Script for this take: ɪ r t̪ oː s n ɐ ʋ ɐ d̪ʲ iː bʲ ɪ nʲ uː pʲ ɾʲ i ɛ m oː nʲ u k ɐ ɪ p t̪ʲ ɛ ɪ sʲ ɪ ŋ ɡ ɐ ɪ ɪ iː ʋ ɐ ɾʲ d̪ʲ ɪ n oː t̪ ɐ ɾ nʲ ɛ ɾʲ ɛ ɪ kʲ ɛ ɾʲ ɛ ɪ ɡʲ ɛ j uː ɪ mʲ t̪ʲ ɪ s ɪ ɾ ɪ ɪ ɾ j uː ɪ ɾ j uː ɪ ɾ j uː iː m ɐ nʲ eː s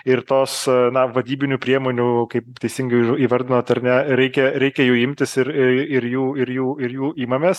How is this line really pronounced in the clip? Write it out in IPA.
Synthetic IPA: ɪ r t̪ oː s n ɐ ʋ ɐ d̪ʲ iː bʲ ɪ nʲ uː pʲ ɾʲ i ɛ m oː nʲ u k ɐ ɪ p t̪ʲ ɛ ɪ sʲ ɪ ŋ ɡ ɐ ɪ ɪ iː ʋ ɐ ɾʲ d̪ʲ ɪ n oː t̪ ɐ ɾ nʲ ɛ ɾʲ ɛ ɪ kʲ ɛ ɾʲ ɛ ɪ kʲ ɛ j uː ɪ mʲ t̪ʲ ɪ s ɪ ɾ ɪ ɪ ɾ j uː ɪ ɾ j uː ɪ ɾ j uː iː m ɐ mʲ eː s